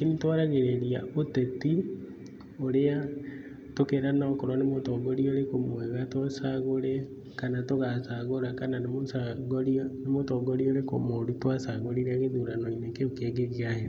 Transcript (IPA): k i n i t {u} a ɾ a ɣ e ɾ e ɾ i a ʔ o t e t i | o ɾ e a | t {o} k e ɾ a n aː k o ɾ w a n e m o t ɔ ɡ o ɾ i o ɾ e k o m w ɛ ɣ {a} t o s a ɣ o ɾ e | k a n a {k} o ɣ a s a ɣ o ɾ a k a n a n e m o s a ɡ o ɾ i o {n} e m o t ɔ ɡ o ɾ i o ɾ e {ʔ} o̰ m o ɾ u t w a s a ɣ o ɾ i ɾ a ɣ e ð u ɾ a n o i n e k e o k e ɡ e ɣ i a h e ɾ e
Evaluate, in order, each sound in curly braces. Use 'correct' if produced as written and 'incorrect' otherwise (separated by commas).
incorrect, correct, correct, incorrect, correct, incorrect